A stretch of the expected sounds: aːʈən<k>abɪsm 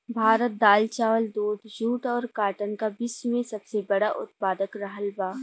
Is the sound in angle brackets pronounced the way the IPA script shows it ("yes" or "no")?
yes